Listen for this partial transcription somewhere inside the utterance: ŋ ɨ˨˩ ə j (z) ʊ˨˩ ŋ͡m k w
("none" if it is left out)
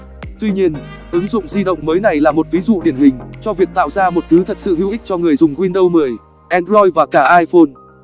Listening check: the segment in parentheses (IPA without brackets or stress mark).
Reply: z